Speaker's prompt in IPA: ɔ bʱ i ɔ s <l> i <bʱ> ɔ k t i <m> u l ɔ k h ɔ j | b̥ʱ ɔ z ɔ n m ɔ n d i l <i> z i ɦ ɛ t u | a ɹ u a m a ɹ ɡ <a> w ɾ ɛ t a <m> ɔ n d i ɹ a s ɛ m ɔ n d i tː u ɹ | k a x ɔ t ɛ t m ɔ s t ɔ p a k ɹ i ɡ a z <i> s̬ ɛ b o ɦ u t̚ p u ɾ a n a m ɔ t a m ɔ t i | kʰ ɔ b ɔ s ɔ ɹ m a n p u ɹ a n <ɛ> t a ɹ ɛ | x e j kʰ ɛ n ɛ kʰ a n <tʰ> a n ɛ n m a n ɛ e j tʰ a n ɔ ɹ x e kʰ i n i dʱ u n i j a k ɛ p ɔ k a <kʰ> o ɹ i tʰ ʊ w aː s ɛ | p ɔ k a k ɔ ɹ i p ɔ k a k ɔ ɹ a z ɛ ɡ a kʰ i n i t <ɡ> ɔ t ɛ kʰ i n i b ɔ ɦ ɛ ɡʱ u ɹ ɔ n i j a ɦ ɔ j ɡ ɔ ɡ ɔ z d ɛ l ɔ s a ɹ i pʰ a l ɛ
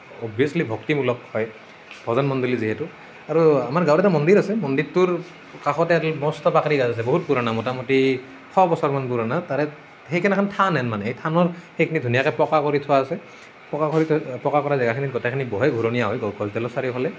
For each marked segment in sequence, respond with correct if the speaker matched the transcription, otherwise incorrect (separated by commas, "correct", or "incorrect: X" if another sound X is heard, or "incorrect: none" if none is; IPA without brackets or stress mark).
correct, correct, correct, correct, correct, correct, incorrect: a, incorrect: a, correct, incorrect: k, correct